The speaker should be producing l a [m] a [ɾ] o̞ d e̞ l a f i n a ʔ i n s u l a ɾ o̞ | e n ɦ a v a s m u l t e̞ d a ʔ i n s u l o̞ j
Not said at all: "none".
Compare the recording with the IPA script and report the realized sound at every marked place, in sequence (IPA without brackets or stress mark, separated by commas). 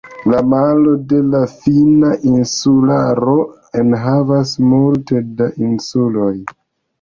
m, l